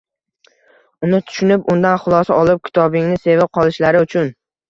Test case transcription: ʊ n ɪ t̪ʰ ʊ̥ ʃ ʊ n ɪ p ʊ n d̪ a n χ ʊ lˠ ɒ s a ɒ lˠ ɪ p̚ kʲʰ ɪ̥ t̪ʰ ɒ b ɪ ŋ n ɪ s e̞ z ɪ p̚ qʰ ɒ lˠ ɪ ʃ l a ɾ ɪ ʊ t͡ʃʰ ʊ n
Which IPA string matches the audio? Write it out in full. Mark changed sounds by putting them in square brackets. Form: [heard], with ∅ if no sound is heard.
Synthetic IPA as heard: ʊ n ɪ t̪ʰ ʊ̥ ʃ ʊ n ɪ p ʊ n d̪ a n χ ʊ lˠ ɒ s a ɒ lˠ ɪ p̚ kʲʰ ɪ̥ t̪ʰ ɒ b ɪ ŋ n ɪ s e̞ [v] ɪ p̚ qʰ ɒ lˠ ɪ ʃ l a ɾ ɪ ʊ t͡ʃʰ ʊ n